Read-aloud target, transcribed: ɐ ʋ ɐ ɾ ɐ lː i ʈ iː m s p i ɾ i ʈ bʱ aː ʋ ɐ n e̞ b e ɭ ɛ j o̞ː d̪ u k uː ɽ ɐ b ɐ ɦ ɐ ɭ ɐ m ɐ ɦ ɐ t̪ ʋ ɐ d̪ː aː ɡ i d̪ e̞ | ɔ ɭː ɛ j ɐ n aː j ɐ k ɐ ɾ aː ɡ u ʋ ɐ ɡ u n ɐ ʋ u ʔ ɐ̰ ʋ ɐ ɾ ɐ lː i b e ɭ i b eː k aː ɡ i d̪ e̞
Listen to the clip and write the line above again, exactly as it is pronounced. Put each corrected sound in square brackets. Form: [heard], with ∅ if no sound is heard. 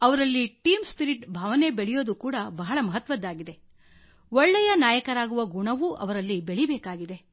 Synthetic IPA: ɐ ʋ ɐ ɾ ɐ lː i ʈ iː m s p i ɾ i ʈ bʱ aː ʋ ɐ n e̞ b e ɭ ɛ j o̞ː d̪ u k uː ɽ ɐ b ɐ ɦ ɐ ɭ ɐ m ɐ ɦ ɐ t̪ ʋ ɐ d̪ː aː ɡ i d̪ e̞ | ɔ ɭː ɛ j ɐ n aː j ɐ k ɐ ɾ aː ɡ u ʋ ɐ ɡ u [ɳ] ɐ ʋ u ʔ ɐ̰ ʋ ɐ ɾ ɐ lː i b e ɭ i b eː k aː ɡ i d̪ e̞